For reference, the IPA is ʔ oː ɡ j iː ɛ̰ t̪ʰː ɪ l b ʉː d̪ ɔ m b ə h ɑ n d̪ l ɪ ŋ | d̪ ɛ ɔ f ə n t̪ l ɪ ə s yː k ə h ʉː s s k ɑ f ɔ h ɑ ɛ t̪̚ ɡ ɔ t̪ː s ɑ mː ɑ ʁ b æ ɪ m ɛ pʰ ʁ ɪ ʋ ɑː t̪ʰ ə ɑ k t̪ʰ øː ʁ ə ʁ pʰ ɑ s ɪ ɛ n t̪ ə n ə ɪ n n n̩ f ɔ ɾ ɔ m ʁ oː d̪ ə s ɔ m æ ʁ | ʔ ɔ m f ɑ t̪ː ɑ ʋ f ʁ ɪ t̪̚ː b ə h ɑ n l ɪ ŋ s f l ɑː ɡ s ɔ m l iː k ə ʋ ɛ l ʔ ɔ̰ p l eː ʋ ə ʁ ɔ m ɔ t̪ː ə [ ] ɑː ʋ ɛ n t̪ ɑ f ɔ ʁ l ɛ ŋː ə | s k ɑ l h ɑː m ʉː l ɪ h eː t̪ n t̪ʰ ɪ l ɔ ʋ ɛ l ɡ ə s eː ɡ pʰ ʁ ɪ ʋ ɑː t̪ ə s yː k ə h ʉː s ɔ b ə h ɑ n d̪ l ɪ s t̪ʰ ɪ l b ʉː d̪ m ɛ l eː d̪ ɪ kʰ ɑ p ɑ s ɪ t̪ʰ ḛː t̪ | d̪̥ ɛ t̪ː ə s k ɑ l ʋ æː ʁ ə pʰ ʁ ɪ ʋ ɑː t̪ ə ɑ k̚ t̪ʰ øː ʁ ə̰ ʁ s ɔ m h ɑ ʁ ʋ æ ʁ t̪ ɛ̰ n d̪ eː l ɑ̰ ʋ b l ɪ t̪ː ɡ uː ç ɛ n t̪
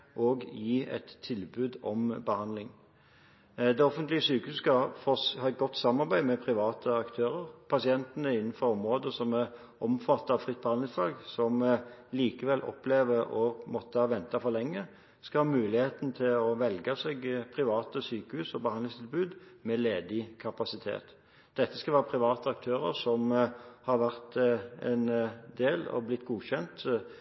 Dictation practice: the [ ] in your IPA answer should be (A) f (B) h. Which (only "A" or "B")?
B